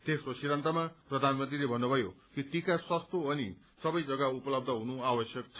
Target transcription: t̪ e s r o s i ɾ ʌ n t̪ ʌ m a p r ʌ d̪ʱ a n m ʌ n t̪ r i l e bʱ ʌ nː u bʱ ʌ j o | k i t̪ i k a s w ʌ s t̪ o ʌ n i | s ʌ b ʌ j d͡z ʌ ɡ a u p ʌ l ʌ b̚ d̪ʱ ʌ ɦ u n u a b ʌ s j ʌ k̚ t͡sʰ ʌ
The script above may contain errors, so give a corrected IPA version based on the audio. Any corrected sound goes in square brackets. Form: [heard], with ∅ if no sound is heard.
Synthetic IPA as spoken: t̪ e s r o s i ɾ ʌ n t̪ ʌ m a p r ʌ d̪ʱ a n m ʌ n t̪ r i l e bʱ ʌ nː u bʱ ʌ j o | k i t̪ i k a s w ʌ s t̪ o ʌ n i | s ʌ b ʌ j d͡z ʌ ɡ a u p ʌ l ʌ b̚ d̪ʱ ʌ ɦ u n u a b ʌ s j ʌ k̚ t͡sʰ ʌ

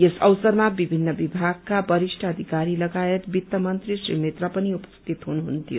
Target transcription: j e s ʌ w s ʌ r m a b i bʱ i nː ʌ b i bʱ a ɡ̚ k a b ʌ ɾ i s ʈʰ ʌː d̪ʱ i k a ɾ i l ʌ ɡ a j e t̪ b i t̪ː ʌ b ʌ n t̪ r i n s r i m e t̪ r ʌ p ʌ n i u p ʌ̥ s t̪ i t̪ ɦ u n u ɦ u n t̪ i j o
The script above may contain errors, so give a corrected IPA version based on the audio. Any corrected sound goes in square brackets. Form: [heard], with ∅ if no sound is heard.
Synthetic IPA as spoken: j e s ʌ w s ʌ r m a b i bʱ i nː ʌ b i bʱ a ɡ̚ k a b ʌ ɾ i s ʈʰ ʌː d̪ʱ i k a ɾ i l ʌ ɡ a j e t̪ b i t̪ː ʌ [m] ʌ n t̪ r i [∅] s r i m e t̪ r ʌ p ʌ n i u p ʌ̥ s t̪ i t̪ ɦ u n u ɦ u n t̪ i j o

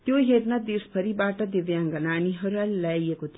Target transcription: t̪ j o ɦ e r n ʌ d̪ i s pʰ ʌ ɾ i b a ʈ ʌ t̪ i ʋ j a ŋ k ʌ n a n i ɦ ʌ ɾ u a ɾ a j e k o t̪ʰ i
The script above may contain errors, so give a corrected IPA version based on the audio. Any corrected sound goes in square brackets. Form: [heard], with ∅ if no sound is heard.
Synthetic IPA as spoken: t̪ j o ɦ e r n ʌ d̪ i s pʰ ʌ ɾ i b a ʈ ʌ [d̪] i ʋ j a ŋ [ɡ] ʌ n a n i ɦ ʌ ɾ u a [l] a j e k o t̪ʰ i

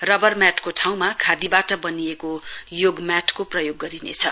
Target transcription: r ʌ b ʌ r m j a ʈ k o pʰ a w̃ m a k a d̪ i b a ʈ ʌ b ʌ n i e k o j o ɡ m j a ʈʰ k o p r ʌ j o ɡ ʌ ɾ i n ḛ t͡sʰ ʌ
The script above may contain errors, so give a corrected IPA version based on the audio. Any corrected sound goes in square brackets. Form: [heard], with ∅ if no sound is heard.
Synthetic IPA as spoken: r ʌ b ʌ r m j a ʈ k o [ʈʰ] a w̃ m a [kʰ] a d̪ i b a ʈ ʌ b ʌ n i e k o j o ɡ m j a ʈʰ k o p r ʌ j o [ɡː] ʌ ɾ i n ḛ t͡sʰ ʌ

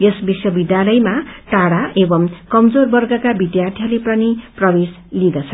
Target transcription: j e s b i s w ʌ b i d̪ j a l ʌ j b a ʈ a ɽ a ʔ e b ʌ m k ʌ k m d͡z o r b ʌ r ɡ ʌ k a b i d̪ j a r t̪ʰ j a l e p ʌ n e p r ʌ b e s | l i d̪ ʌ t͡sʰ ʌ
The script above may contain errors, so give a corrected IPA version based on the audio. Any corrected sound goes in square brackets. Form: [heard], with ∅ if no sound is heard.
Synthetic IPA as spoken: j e s b i s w ʌ b i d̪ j a l ʌ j [m] a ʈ a ɽ a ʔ e b ʌ m k ʌ [∅] m d͡z o r b ʌ r ɡ ʌ k a b i d̪ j a r t̪ʰ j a l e p ʌ n [i] p r ʌ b e s | l i d̪ ʌ t͡sʰ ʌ

